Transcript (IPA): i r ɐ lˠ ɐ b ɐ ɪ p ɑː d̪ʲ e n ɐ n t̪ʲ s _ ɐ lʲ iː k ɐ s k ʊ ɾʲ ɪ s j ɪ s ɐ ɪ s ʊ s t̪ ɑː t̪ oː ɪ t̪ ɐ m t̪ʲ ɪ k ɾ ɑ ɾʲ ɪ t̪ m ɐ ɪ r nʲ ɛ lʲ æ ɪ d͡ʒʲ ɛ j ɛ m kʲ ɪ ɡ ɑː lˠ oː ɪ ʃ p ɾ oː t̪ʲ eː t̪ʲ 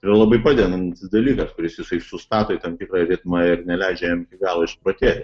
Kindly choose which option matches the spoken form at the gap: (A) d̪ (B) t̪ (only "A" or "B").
A